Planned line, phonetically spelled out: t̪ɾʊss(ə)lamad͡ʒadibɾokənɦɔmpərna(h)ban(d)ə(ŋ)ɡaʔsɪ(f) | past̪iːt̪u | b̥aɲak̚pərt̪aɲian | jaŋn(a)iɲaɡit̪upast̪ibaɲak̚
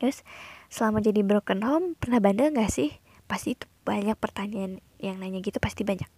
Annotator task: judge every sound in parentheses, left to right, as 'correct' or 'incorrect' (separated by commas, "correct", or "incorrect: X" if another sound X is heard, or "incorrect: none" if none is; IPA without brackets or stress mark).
correct, correct, correct, correct, incorrect: h, correct